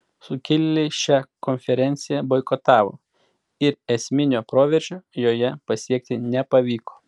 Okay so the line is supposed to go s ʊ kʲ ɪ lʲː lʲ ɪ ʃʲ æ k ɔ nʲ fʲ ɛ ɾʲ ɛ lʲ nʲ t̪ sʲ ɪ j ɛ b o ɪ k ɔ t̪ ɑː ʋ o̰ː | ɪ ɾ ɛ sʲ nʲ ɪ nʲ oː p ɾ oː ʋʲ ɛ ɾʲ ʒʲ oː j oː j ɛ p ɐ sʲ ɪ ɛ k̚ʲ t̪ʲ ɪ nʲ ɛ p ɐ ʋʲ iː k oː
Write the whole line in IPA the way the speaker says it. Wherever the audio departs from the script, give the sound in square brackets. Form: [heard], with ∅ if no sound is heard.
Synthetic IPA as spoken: s ʊ kʲ ɪ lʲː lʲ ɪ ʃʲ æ k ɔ nʲ fʲ ɛ ɾʲ ɛ [∅] nʲ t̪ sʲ ɪ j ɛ b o ɪ k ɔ t̪ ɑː ʋ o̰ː | ɪ ɾ ɛ sʲ [mʲ] ɪ nʲ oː p ɾ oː ʋʲ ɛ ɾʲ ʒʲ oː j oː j ɛ p ɐ sʲ [i] ɛ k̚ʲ t̪ʲ ɪ nʲ ɛ p ɐ ʋʲ iː k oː